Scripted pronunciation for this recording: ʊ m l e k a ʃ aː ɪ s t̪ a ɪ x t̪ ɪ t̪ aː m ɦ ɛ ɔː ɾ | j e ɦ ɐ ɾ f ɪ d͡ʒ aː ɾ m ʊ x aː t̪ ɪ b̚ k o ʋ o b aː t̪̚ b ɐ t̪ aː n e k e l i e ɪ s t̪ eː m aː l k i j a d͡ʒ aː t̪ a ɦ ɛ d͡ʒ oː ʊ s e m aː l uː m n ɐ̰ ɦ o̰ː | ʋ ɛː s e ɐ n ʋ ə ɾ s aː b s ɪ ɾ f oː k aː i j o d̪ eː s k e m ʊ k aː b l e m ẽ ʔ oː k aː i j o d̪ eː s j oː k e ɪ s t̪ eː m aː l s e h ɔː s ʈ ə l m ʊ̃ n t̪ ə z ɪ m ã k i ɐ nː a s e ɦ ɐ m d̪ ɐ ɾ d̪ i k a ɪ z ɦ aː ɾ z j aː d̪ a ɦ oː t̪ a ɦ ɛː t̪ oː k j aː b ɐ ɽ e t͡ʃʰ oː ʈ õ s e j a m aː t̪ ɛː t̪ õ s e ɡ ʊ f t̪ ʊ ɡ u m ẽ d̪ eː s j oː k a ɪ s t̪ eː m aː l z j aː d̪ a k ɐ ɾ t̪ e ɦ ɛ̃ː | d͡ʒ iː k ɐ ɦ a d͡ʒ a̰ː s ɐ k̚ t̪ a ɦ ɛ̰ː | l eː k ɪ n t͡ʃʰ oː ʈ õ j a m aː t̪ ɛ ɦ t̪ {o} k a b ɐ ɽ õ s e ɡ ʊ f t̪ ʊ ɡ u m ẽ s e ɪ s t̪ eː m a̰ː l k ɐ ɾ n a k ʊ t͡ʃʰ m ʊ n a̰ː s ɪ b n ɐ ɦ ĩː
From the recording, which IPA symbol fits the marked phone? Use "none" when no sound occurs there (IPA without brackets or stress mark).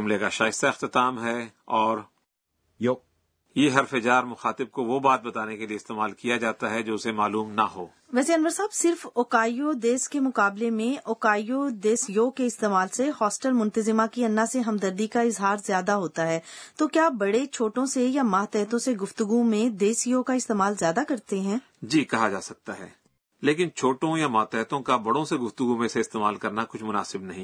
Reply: õ